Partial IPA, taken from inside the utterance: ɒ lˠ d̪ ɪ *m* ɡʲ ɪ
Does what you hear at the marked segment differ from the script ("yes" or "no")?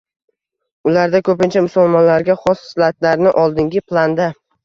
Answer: yes